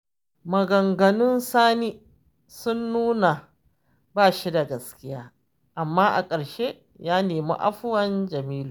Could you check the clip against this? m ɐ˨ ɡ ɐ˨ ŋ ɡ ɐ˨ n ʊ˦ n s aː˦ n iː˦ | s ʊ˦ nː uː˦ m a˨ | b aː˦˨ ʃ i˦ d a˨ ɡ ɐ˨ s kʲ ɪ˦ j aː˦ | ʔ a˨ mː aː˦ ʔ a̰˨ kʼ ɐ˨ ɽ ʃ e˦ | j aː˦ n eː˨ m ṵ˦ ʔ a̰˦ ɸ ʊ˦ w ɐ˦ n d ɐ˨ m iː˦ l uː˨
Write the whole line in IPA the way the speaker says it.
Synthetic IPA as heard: m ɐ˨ ɡ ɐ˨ ŋ ɡ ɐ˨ n ʊ˦ n s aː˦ n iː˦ | s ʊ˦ nː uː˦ n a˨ | b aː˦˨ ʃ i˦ d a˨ ɡ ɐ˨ s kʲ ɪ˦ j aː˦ | ʔ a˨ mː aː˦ ʔ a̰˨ kʼ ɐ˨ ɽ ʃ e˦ | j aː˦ n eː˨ m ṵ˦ ʔ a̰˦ ɸ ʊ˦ w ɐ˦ n d͡ʒ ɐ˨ m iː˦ l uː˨